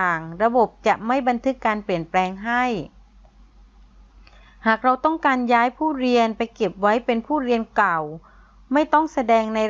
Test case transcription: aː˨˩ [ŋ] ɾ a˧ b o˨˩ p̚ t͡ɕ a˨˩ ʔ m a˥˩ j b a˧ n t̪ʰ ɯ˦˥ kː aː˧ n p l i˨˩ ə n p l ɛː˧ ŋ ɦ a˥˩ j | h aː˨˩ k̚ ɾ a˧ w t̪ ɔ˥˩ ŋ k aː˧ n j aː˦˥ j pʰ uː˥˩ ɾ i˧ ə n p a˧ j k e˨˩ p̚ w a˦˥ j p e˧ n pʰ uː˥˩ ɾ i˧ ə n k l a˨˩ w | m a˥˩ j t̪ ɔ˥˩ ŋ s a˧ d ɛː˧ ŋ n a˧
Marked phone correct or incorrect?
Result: correct